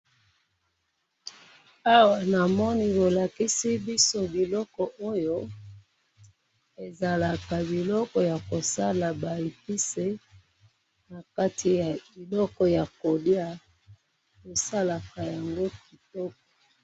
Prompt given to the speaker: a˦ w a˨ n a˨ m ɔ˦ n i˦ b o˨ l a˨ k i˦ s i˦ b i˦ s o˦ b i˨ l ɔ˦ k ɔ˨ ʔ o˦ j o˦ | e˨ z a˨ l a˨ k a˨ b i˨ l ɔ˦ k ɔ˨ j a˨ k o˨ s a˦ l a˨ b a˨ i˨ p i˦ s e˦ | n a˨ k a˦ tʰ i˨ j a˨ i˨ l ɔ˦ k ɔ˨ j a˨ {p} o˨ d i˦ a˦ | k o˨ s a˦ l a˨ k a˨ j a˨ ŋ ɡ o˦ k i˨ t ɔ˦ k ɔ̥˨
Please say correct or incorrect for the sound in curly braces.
incorrect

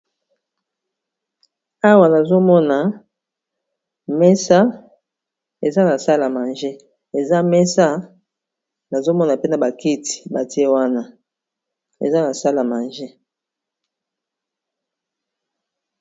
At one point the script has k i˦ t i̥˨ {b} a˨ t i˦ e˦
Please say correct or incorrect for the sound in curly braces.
correct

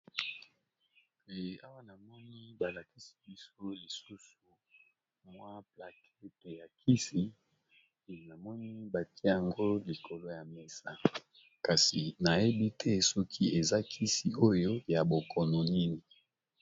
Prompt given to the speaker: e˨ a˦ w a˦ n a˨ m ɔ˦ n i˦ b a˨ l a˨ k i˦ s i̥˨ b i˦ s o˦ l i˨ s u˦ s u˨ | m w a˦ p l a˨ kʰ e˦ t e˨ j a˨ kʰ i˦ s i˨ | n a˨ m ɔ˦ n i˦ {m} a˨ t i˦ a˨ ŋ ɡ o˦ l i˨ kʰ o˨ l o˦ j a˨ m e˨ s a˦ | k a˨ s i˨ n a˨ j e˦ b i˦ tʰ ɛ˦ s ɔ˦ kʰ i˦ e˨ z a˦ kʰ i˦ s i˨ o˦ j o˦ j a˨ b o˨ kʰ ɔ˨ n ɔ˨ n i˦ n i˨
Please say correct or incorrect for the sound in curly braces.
incorrect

